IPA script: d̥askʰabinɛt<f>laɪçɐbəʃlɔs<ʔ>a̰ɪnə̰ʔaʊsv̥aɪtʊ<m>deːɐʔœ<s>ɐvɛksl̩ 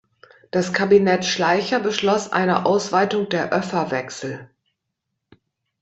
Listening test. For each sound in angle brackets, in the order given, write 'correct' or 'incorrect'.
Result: incorrect: ʃ, correct, incorrect: ŋ, incorrect: f

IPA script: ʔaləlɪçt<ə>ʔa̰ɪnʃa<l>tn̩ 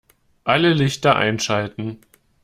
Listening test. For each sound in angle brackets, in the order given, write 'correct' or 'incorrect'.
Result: incorrect: ɐ, correct

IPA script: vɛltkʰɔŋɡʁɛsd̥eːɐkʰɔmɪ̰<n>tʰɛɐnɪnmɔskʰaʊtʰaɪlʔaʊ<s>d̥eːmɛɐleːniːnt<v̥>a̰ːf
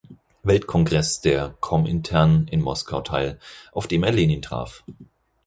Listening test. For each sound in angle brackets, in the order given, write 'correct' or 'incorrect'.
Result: correct, incorrect: f, incorrect: ʁ̥

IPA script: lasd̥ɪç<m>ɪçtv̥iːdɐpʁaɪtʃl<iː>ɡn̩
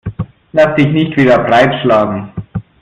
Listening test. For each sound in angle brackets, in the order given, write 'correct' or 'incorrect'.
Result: incorrect: n, incorrect: aː

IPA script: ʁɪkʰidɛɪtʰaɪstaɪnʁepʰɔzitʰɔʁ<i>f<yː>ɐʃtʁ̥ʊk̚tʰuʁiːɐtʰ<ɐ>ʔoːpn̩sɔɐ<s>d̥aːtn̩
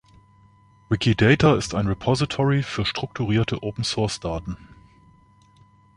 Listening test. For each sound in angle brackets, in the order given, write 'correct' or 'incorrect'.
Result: correct, correct, incorrect: ə, correct

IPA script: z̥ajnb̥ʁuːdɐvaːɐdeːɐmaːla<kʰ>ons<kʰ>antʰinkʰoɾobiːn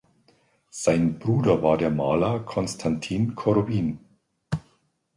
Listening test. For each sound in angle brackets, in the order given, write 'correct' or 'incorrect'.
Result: correct, incorrect: tʰ

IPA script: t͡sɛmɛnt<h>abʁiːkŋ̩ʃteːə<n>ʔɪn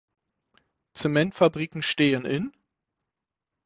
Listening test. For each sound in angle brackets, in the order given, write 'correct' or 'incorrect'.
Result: incorrect: f, correct

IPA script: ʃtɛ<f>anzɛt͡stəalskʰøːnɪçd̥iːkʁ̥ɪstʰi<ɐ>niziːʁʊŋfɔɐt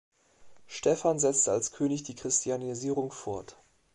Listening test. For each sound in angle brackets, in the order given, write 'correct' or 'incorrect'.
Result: correct, incorrect: a

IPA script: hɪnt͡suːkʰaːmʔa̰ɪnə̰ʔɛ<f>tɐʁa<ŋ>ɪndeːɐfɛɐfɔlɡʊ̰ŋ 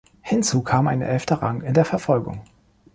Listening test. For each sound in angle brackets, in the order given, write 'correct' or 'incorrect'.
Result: correct, correct

